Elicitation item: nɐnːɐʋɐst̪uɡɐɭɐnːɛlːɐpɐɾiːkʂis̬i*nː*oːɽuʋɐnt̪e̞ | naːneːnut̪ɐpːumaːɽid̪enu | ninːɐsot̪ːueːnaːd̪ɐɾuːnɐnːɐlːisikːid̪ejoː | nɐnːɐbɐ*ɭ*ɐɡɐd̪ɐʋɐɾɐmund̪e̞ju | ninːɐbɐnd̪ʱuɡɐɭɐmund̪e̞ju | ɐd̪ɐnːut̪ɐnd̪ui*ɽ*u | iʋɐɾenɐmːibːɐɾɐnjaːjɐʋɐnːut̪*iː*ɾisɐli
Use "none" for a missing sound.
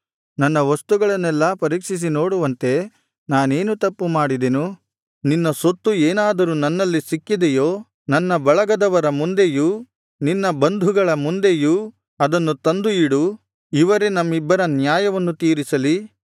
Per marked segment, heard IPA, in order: n, ɭ, ɽ, iː

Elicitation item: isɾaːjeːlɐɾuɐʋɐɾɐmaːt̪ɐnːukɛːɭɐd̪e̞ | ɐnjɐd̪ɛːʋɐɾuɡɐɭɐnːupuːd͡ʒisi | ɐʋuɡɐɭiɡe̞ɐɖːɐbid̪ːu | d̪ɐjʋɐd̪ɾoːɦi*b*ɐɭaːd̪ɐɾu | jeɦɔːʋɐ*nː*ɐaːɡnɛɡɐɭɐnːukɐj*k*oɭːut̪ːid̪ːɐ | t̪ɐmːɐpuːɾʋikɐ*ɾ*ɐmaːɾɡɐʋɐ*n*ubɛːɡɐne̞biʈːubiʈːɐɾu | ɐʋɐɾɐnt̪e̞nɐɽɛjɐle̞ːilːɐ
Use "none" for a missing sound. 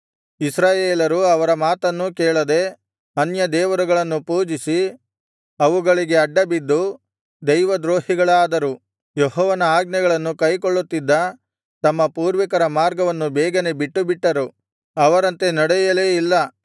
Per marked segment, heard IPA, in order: ɡ, n, k, ɾ, nː

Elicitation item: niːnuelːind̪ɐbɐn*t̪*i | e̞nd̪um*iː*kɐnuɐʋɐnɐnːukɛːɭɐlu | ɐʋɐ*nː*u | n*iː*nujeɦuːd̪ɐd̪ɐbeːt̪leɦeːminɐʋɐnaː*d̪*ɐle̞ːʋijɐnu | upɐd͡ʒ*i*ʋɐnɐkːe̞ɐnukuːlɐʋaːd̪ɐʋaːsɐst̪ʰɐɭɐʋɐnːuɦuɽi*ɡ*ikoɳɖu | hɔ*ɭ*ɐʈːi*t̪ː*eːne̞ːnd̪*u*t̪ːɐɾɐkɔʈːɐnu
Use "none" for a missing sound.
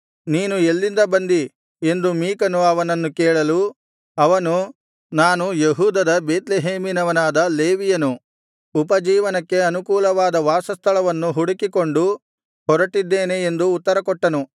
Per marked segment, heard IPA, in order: d̪, iː, n, aː, d̪, iː, k, ɾ, d̪ː, uː

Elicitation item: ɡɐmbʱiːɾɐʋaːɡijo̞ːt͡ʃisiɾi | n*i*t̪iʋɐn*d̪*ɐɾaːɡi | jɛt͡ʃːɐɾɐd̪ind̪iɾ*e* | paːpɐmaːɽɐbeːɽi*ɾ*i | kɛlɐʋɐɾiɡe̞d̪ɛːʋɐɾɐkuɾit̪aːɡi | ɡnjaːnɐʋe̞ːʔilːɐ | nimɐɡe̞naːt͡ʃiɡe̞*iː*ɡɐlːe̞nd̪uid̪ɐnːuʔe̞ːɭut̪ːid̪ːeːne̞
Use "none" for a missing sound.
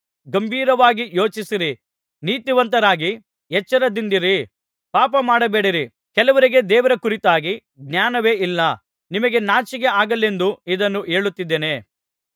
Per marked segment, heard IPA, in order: iː, t̪, i, ɾ, aː

